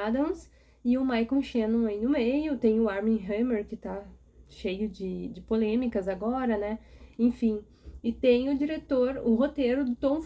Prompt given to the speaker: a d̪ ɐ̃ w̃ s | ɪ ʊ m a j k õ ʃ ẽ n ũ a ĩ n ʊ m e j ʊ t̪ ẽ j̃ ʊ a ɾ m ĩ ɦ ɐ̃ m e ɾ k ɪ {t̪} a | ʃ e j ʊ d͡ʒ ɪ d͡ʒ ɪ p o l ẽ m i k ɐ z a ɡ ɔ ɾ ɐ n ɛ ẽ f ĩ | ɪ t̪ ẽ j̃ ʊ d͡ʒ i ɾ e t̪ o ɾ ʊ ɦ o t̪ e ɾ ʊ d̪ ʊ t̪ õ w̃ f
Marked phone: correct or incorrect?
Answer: correct